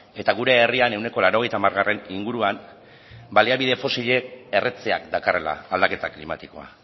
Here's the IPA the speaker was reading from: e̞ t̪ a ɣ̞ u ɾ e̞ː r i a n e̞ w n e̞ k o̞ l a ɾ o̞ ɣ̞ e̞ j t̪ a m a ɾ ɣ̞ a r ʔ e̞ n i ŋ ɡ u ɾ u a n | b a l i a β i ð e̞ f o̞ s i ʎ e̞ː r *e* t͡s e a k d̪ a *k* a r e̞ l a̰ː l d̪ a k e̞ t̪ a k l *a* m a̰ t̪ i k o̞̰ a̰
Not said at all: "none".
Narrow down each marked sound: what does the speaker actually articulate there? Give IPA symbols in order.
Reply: e, k, i

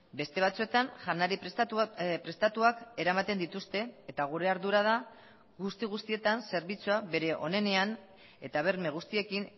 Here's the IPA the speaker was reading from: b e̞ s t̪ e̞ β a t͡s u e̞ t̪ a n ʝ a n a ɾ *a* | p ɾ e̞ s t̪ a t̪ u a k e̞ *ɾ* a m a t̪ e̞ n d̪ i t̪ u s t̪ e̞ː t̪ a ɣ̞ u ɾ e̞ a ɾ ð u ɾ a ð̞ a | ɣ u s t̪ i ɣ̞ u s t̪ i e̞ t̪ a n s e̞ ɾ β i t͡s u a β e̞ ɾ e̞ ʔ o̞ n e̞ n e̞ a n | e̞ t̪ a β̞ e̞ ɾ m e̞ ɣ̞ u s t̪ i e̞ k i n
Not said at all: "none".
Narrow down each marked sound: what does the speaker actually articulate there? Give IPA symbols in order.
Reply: i, ɾ

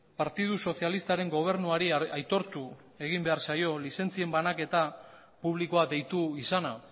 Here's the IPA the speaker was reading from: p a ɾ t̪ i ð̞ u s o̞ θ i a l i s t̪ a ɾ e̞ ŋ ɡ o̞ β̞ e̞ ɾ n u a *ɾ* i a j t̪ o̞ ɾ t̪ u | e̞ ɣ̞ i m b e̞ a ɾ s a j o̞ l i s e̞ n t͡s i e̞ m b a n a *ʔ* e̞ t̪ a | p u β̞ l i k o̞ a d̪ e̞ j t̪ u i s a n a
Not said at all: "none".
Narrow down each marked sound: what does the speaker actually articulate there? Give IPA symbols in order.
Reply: ɾ, k

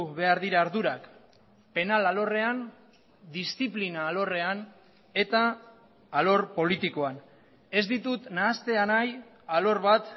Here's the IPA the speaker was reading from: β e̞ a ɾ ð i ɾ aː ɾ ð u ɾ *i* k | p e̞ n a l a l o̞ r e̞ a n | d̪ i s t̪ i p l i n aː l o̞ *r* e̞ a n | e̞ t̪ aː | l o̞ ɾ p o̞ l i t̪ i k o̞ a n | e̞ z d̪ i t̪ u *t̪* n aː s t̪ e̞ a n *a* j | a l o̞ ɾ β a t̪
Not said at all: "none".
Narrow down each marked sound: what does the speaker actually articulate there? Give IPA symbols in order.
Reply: a, r, t̪, a

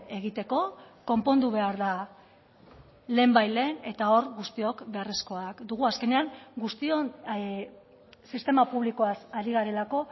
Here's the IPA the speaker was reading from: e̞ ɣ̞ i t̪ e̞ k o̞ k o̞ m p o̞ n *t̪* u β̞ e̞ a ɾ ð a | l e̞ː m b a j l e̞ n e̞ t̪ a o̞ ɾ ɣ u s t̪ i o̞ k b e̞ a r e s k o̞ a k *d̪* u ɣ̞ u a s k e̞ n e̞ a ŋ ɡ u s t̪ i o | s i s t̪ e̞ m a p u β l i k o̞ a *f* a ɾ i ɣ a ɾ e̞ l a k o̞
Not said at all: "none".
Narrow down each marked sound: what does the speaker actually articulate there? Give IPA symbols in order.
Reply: d̪, d̪, s

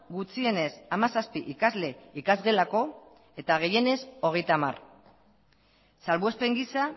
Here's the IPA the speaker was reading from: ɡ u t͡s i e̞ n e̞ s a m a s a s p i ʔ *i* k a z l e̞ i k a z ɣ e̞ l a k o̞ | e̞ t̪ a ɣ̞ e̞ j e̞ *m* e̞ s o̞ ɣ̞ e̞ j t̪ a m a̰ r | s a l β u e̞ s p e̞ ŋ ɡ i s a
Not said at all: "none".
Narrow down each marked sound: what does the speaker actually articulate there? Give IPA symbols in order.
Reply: i, n

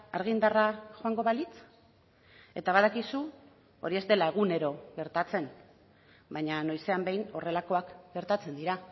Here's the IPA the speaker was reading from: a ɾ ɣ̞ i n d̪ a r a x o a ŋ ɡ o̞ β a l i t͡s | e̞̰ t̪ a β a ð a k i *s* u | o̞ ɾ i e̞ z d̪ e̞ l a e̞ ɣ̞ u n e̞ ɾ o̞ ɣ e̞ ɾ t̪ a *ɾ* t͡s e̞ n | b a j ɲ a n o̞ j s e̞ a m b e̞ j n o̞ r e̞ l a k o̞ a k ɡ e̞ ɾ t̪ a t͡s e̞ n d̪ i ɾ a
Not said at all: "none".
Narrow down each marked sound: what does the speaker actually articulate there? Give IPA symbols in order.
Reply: s, none

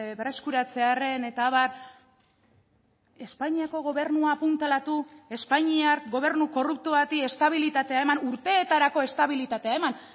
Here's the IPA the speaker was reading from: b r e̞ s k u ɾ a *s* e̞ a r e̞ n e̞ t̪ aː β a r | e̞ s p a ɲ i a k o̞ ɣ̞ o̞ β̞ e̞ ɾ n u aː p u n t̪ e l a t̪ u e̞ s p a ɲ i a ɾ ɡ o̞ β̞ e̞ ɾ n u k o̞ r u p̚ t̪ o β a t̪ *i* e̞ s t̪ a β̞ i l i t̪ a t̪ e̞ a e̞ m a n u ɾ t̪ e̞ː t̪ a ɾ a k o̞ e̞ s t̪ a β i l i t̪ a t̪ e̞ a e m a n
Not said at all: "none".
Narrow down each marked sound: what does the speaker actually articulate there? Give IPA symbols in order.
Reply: t͡s, i

